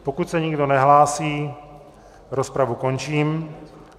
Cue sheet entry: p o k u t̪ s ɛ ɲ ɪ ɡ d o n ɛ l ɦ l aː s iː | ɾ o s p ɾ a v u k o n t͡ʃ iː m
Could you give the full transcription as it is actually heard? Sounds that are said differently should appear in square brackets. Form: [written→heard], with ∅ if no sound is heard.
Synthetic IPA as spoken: p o k u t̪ s ɛ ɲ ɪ ɡ d o n ɛ [l→∅] ɦ l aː s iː | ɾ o s p ɾ a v u k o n t͡ʃ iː m